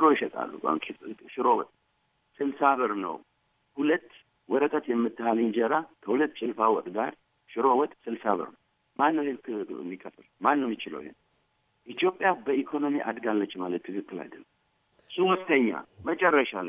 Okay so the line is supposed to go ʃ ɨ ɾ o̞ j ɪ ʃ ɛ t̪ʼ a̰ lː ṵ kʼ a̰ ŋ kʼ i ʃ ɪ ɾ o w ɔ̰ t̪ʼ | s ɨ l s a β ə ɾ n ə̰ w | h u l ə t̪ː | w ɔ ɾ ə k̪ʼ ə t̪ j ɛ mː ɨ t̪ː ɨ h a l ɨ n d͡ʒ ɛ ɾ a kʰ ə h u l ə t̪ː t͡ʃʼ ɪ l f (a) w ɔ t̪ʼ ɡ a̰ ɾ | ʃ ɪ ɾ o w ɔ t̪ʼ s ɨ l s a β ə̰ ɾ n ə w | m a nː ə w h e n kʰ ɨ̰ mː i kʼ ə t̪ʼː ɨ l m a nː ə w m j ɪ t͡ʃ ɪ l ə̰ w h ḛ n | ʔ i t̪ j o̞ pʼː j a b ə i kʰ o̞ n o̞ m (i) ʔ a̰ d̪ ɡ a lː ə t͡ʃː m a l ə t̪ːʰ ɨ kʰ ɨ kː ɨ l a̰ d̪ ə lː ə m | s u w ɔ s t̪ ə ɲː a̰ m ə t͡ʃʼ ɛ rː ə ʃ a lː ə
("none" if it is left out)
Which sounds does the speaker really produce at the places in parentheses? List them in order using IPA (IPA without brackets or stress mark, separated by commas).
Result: a, i